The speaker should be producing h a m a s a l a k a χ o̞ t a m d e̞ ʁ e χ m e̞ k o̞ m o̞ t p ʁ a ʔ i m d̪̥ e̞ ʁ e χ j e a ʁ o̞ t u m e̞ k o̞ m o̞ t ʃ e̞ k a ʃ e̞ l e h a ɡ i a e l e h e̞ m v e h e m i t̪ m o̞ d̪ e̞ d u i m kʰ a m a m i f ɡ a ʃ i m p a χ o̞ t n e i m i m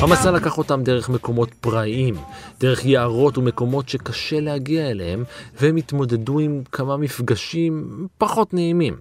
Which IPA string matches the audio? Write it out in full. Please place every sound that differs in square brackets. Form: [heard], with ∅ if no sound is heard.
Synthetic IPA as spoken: h a m a s a l a k a χ o̞ t a m d e̞ ʁ e χ m e̞ k o̞ m o̞ t p ʁ a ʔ i m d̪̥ e̞ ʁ e χ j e a ʁ o̞ t u m e̞ k o̞ m o̞ t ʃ e̞ k a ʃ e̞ l e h a ɡ i a e l e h e̞ m v e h e m i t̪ m o̞ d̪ e̞ d u i m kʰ a m a m i f ɡ a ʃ i m p a χ o̞ t n e i m i m